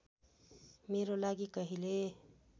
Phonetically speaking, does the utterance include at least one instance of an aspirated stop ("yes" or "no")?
no